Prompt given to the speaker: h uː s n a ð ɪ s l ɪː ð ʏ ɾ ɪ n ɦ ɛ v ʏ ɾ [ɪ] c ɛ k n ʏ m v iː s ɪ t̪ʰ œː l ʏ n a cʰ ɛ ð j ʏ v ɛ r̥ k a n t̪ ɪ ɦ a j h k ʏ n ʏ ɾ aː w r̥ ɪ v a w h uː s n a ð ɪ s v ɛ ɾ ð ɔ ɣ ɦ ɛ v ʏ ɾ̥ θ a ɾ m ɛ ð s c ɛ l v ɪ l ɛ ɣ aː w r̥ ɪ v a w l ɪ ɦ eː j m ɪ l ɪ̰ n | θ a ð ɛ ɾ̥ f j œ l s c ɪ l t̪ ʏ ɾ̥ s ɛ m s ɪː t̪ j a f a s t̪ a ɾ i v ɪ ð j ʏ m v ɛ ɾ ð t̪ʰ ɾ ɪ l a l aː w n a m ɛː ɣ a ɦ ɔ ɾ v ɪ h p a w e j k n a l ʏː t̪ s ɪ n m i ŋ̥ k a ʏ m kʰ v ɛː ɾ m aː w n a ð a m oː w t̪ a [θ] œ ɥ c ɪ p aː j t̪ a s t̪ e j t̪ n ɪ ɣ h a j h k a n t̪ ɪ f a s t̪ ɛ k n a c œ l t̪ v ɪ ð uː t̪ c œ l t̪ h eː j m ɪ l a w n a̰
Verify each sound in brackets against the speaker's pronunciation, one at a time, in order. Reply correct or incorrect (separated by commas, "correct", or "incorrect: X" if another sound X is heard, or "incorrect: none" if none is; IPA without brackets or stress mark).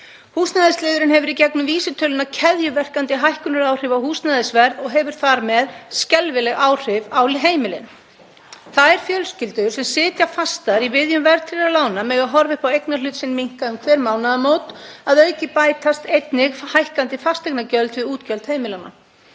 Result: incorrect: i, incorrect: ð